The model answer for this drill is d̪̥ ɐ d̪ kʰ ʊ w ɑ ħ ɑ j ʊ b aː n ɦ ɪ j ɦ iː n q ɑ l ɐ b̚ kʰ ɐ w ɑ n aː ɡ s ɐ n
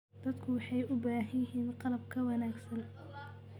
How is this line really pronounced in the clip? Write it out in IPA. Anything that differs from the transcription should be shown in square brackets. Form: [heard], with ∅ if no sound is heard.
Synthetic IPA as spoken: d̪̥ ɐ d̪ kʰ ʊ w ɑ ħ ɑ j ʊ b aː [∅] ɦ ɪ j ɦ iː n q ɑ l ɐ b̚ kʰ ɐ w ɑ n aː ɡ s ɐ n